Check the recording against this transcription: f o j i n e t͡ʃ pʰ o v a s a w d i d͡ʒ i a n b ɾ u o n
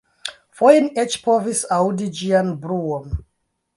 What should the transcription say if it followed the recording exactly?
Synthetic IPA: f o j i n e t͡ʃ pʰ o v i s a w d i d͡ʒ i a n b ɾ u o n